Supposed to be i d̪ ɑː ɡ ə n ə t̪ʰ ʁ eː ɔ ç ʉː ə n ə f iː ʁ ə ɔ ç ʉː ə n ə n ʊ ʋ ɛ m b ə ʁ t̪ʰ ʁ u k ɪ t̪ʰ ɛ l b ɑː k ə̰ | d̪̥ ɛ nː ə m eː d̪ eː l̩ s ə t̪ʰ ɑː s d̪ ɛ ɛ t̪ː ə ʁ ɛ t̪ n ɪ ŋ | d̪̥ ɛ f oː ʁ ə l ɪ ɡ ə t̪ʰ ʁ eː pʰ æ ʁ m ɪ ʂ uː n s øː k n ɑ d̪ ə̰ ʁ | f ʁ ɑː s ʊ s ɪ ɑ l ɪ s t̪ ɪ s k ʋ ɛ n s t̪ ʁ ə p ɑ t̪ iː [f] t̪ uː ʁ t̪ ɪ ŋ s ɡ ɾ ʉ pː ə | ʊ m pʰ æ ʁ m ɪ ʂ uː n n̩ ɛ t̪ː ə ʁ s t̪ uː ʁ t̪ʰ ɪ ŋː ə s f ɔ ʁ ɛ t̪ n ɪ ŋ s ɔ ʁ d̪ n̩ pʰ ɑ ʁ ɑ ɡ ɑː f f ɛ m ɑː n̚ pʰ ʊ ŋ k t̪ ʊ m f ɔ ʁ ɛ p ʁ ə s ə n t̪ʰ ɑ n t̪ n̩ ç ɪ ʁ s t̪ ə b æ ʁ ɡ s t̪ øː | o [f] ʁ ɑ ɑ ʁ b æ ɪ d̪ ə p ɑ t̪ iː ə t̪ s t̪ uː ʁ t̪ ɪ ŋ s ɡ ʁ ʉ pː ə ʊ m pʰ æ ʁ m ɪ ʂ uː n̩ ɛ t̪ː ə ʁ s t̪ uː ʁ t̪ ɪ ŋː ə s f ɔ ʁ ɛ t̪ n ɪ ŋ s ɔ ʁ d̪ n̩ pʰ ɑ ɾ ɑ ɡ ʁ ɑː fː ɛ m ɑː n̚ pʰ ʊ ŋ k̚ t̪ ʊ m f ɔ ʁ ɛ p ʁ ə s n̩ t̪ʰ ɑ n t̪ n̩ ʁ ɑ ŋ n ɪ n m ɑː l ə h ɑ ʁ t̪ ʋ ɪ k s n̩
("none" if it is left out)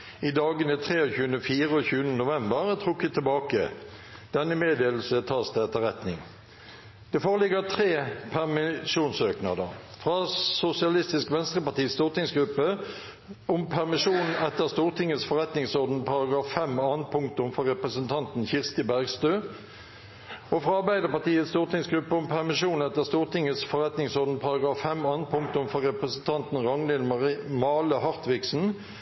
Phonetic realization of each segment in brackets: s, f

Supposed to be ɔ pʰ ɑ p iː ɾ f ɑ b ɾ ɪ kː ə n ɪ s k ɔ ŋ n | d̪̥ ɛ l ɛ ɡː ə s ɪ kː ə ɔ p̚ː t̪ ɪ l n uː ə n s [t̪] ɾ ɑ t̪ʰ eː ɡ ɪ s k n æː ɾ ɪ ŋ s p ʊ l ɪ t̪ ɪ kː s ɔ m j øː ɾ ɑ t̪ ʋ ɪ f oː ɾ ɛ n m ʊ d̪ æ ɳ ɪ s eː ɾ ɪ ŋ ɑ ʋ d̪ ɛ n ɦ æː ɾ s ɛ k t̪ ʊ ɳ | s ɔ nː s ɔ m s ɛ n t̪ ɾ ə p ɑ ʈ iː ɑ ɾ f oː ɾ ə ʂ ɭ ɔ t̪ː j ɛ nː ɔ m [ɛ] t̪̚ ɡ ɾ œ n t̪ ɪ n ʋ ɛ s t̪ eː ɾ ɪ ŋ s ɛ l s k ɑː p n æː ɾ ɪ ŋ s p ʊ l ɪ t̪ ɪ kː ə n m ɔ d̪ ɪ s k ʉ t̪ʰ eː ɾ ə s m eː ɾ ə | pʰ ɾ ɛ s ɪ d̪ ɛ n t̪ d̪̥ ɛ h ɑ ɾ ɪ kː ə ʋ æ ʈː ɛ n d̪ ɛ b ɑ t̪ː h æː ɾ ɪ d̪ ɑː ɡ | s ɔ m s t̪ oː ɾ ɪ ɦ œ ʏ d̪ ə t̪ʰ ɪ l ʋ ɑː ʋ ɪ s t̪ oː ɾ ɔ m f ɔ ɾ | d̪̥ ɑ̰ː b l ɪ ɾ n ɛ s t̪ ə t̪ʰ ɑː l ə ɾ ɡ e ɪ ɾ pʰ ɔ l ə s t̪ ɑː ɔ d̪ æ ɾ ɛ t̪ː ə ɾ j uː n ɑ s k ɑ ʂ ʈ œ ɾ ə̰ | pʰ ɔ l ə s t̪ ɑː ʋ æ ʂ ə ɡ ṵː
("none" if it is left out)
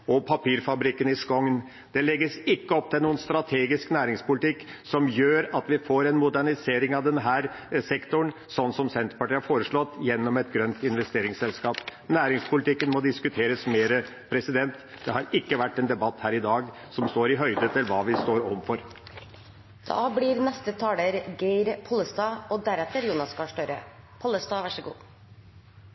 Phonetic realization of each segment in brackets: t̪, ɛ

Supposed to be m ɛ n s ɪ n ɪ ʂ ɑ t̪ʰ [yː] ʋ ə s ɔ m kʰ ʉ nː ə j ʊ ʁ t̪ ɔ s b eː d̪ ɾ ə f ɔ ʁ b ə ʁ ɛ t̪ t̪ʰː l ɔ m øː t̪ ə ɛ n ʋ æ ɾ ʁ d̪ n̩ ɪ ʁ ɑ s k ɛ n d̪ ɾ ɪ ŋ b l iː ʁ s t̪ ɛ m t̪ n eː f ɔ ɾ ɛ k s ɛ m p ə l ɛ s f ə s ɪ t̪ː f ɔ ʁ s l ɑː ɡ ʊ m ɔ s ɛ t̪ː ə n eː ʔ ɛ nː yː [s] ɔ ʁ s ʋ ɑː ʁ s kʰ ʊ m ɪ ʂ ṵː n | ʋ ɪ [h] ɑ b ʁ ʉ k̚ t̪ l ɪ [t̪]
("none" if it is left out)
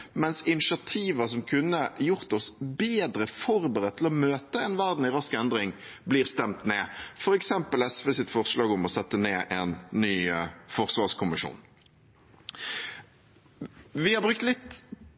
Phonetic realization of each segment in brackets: iː, f, h, t̪

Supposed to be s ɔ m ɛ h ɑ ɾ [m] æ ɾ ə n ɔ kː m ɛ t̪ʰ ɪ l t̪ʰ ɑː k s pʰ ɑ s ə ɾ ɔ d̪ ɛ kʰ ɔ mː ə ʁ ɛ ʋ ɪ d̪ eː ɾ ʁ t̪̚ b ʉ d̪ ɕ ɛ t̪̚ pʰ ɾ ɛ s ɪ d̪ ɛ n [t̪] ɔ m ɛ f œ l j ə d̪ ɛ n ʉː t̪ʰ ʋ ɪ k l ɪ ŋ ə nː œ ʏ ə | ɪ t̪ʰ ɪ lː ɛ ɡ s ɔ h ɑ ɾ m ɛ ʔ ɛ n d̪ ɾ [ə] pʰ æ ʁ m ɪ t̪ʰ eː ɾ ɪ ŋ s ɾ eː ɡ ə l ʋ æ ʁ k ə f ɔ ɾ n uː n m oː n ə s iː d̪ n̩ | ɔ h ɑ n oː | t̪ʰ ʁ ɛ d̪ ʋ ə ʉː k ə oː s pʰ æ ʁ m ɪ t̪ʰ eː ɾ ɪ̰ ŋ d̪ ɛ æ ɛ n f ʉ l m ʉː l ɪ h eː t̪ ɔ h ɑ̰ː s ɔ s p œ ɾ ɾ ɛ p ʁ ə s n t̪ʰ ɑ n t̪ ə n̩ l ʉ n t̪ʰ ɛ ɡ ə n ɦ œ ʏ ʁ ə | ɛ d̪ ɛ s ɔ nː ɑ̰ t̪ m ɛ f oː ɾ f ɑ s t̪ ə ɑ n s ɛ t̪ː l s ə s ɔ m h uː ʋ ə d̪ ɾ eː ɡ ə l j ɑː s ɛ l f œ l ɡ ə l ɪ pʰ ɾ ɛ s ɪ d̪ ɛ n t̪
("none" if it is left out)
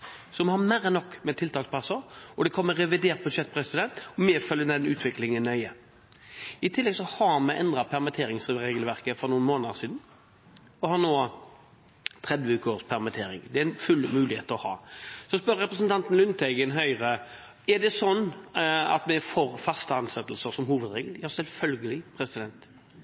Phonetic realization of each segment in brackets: m, t̪, ɑ

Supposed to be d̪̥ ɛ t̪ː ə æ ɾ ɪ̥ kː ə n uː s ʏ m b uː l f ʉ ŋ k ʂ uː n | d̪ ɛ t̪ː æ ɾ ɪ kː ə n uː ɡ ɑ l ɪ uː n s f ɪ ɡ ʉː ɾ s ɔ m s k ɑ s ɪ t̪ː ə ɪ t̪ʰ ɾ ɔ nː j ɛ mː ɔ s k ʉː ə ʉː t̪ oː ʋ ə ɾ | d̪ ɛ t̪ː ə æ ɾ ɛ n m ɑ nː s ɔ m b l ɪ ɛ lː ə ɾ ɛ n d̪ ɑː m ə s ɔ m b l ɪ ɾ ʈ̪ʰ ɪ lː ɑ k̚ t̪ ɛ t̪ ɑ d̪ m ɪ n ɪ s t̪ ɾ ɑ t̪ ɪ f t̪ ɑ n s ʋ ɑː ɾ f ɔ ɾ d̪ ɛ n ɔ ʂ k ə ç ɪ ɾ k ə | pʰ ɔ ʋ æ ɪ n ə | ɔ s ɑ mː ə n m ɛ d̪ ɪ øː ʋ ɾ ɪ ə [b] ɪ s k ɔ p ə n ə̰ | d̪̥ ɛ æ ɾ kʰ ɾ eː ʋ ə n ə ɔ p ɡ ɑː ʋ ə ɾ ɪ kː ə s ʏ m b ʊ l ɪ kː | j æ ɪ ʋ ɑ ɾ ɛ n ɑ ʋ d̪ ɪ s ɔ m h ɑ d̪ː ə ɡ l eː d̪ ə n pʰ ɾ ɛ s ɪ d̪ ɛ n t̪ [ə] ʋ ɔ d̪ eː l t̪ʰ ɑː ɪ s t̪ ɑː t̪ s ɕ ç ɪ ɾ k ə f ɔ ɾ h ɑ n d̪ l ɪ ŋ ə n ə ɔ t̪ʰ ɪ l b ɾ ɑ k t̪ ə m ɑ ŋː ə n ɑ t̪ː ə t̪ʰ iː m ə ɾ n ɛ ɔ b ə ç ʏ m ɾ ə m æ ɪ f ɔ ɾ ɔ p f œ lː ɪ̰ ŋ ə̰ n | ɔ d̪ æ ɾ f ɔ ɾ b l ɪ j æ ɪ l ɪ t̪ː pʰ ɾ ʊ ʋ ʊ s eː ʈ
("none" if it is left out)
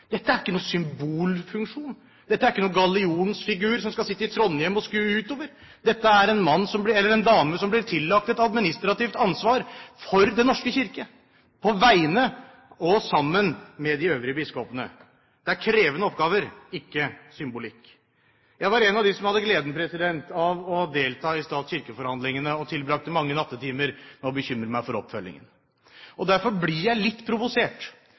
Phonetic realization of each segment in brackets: b, ɑ

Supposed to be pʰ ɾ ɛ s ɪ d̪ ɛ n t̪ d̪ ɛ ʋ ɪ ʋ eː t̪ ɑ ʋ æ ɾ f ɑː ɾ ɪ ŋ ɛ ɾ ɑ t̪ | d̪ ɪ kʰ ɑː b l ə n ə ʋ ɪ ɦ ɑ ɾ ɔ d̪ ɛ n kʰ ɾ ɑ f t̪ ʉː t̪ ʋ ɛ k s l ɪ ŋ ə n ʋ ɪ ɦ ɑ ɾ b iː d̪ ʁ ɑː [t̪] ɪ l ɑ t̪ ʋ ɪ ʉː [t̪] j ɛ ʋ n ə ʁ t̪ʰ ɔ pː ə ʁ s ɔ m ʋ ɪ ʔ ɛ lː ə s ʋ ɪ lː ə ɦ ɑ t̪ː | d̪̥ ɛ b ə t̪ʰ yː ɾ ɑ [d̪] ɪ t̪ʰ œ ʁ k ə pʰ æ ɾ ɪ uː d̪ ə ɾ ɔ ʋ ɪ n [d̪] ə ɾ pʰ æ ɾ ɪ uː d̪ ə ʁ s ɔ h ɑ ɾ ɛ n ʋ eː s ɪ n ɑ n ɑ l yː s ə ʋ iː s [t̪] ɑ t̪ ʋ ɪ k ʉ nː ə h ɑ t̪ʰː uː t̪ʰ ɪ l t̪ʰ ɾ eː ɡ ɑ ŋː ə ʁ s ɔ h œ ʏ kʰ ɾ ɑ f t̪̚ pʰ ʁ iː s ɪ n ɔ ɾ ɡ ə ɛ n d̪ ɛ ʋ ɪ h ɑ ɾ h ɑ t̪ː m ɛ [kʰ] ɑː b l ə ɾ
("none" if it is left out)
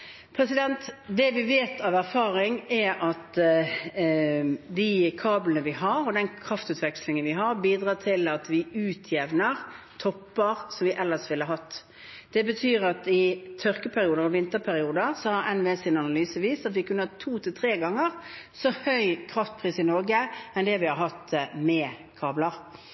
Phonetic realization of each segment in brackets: t̪ʰ, t̪ʰ, t̪, t̪, t̪, kʰ

